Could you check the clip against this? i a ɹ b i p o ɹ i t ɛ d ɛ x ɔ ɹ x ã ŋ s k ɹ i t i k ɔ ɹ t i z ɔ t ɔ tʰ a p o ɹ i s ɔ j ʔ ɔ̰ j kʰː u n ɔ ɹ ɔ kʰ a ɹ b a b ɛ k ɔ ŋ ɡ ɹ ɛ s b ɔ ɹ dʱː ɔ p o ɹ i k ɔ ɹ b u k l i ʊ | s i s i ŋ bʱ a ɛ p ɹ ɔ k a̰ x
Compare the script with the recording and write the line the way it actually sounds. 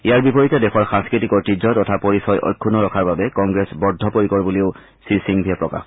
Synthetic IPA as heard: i a ɹ b i p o ɹ i t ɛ d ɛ x ɔ ɹ x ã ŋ s k ɹ i t i k ɔ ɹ t i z ɔ t ɔ tʰ a p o ɹ i s ɔ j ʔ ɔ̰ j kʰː u n ɔ ɹ ɔ kʰ a ɹ b a b ɛ k ɔ ŋ ɡ ɹ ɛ s b ɔ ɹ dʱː ɔ p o ɹ i k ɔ ɹ b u l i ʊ | s i s i ŋ bʱ i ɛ p ɹ ɔ k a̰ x

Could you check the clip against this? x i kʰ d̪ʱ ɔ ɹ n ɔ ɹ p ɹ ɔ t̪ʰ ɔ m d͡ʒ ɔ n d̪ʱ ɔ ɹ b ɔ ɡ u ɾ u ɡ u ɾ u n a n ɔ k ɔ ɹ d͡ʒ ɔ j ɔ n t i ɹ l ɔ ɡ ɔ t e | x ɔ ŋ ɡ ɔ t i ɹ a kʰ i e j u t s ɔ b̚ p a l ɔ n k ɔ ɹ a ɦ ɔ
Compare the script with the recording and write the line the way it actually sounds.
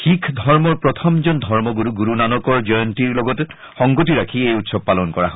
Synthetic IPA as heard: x i kʰ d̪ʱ ɔ ɹ m ɔ ɹ p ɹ ɔ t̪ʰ ɔ m d͡ʒ ɔ n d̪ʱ ɔ ɹ m ɔ ɡ u ɾ u ɡ u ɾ u n a n ɔ k ɔ ɹ d͡ʒ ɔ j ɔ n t i ɹ l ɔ ɡ ɔ t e | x ɔ ŋ ɡ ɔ t i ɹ a kʰ i e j u t s ɔ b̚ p a l ɔ n k ɔ ɹ a ɦ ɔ

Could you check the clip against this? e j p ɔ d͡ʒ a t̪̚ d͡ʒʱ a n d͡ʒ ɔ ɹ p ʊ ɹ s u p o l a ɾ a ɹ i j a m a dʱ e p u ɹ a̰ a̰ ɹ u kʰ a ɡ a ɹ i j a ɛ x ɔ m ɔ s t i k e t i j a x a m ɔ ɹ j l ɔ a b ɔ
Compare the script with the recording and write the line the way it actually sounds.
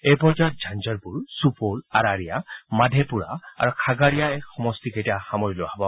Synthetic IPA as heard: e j p ɔ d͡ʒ a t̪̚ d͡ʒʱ a n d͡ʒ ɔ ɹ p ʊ ɹ s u p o l a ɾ a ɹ i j a m a dʱ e p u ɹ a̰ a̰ ɹ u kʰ a ɡ a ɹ i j a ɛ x ɔ m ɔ s t i k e t i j a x a m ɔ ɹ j l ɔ a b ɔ

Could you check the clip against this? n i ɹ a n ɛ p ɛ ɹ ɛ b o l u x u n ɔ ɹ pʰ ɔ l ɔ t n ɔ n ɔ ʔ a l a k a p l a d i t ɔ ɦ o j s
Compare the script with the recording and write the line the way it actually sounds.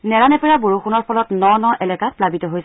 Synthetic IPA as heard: n ɛ ɹ a n ɛ p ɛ ɹ a b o ɹ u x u n ɔ ɹ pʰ ɔ l ɔ t n ɔ n ɔ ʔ ɛ l ɛ k a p l a b i t ɔ ɦ o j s

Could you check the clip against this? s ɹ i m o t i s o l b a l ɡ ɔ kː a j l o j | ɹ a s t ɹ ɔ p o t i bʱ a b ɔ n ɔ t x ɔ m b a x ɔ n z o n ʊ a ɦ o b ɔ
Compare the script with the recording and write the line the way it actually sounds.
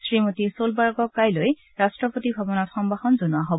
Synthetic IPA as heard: s ɹ i m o t i s o l b a ɹ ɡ ɔ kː a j l o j | ɹ a s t ɹ ɔ p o t i bʱ a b ɔ n ɔ t x ɔ m b a x ɔ n z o n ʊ a ɦ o b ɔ

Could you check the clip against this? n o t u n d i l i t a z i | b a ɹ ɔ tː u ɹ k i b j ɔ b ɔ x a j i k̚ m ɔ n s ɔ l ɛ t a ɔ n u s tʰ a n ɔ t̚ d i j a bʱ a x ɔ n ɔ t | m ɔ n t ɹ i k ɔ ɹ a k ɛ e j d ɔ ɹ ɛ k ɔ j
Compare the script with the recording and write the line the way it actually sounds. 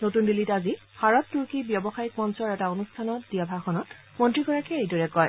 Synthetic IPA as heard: n o t u n d i l i t a z i | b a ɹ ɔ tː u ɹ k i b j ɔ b ɔ x a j i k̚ m ɔ n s ɔ ɹ ɛ t a o n u s tʰ a n ɔ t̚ d i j a bʱ a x ɔ n ɔ t | m ɔ n t ɹ i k ɔ ɹ a k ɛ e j d ɔ ɹ ɛ k ɔ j

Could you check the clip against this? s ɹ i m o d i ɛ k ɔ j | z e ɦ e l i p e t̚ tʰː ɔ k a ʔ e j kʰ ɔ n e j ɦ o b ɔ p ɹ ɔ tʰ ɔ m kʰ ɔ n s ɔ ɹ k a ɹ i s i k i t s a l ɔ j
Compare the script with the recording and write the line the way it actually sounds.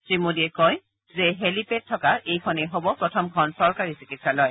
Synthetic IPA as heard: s ɹ i m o d i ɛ k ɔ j | z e ɦ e l i p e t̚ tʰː ɔ k a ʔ e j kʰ ɔ n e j ɦ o b ɔ p ɹ ɔ tʰ ɔ m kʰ ɔ n s ɔ ɹ k a ɹ i s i k i t s a l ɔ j

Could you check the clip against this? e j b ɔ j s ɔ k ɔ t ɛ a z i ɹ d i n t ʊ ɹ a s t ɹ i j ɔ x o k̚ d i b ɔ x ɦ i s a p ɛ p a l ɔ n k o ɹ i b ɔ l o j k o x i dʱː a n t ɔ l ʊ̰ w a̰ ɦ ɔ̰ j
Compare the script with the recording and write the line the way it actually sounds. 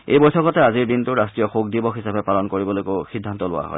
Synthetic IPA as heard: e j b ɔ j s ɔ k ɔ t ɛ a z i ɹ d i n t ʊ ɹ a s t ɹ i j ɔ x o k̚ d i b ɔ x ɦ i s a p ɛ p a l ɔ n k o ɹ i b ɔ l o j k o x i dʱː a n t ɔ l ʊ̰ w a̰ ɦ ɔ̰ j

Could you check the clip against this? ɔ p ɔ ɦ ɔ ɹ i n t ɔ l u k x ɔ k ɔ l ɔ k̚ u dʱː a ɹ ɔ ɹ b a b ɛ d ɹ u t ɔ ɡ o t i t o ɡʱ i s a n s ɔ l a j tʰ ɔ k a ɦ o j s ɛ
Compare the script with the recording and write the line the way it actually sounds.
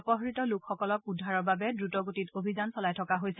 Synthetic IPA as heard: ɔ p ɔ ɦ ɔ ɹ i t ɔ l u k x ɔ k ɔ l ɔ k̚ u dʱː a ɹ ɔ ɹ b a b ɛ d ɹ u t ɔ ɡ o t i t o bʱ i z a n s ɔ l a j tʰ ɔ k a ɦ o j s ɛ

